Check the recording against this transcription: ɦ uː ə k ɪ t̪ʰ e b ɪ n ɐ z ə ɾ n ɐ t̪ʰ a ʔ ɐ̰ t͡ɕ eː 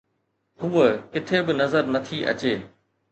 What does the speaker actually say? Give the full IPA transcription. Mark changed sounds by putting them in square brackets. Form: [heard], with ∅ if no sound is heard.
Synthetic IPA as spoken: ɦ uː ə k ɪ t̪ʰ e b ɪ n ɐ z ə ɾ n ɐ t̪ʰ [i] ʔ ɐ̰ t͡ɕ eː

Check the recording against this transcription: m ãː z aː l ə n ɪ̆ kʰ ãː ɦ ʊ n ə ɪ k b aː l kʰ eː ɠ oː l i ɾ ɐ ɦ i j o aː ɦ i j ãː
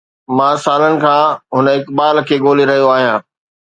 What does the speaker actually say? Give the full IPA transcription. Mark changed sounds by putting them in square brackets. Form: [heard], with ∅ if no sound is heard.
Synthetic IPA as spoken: m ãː [s] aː l ə n ɪ̆ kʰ ãː ɦ ʊ n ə ɪ k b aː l kʰ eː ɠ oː l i ɾ ɐ ɦ i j o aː ɦ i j ãː

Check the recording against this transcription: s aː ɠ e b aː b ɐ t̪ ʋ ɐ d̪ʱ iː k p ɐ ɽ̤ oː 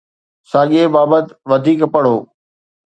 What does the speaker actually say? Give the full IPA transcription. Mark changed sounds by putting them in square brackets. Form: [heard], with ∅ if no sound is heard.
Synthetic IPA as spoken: s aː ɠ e b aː b [ə] t̪ ʋ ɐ d̪ʱ iː k p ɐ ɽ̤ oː

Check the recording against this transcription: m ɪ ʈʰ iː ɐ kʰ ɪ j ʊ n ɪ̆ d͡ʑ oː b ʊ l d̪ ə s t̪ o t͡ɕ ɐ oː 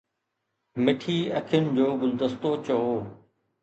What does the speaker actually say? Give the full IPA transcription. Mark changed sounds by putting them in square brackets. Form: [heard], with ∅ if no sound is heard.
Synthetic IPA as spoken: m ɪ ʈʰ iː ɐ kʰ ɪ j ʊ n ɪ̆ d͡ʑ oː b ʊ l d̪ ə s t̪ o t͡ɕ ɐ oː

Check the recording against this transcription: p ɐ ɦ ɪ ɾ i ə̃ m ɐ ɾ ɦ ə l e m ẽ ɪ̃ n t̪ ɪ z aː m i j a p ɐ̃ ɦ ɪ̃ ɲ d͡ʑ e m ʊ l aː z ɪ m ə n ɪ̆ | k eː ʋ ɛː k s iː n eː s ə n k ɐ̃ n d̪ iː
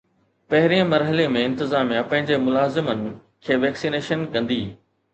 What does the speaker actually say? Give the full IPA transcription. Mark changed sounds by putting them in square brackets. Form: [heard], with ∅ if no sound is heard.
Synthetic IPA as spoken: p ɐ ɦ ɪ ɾ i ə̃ m ɐ ɾ ɦ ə l e m ẽ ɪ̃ n t̪ ɪ z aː m i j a p ɐ̃ ɦ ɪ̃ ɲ d͡ʑ e m ʊ l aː z ɪ m ə n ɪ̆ | [kʰ] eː ʋ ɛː k s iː n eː [ʃ] ə n k ɐ̃ n d̪ iː

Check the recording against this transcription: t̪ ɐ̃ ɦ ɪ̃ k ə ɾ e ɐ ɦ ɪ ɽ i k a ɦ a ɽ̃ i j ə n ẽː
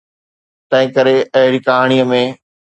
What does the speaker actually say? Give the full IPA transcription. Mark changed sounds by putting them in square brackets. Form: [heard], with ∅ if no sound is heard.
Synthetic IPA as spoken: t̪ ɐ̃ ɦ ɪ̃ k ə ɾ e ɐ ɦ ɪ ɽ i k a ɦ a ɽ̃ i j ə [m] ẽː

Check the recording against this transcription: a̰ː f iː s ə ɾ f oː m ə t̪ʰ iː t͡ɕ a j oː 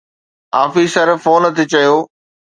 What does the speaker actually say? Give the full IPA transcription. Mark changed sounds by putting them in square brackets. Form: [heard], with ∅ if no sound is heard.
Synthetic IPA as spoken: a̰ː f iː s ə ɾ f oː [n] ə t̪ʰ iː t͡ɕ [ɐ] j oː

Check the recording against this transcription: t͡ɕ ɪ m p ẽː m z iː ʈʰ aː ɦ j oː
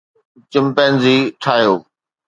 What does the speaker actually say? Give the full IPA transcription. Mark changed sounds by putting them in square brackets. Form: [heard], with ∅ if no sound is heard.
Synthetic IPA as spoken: t͡ɕ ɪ m p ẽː [n] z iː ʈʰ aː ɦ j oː

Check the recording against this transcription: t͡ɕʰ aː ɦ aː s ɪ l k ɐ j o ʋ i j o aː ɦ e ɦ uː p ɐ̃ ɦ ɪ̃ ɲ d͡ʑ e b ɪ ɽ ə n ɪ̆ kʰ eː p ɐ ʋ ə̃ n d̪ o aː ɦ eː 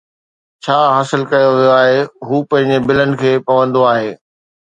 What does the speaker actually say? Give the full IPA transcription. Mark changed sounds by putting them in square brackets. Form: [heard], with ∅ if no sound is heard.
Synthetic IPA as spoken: t͡ɕʰ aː ɦ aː s ɪ l k ɐ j o ʋ i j o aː ɦ e ɦ uː p ɐ̃ ɦ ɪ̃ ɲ d͡ʑ e b ɪ [l] ə n ɪ̆ kʰ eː p ɐ ʋ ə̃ n d̪ o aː ɦ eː

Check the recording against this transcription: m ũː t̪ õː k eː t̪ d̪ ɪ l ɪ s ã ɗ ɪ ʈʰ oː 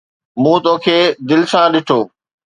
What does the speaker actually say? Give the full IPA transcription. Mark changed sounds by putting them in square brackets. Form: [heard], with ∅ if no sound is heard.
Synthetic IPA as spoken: m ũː t̪ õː [kʰ] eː [∅] d̪ ɪ l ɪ s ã ɗ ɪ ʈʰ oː

